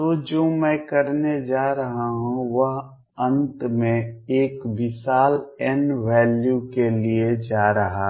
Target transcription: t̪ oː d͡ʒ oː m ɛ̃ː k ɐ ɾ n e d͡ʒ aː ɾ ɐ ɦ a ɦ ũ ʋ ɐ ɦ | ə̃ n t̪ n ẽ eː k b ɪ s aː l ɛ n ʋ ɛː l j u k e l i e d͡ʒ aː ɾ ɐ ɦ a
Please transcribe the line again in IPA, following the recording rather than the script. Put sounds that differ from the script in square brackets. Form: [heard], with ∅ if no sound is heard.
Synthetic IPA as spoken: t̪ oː d͡ʒ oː m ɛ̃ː k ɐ ɾ n e d͡ʒ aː ɾ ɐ ɦ a ɦ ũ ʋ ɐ ɦ | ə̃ n t̪ [m] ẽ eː k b ɪ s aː l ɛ n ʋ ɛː l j u k e l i e d͡ʒ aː ɾ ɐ ɦ a